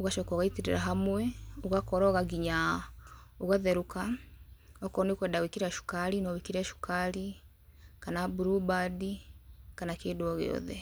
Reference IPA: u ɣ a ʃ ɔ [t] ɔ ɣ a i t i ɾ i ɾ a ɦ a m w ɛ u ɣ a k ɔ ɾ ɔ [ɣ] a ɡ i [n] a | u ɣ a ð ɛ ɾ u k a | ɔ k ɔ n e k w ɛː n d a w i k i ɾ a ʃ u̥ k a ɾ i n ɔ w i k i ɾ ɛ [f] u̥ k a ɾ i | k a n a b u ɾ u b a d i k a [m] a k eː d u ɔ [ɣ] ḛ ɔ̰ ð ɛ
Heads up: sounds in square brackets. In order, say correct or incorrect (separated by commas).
incorrect, correct, incorrect, incorrect, incorrect, correct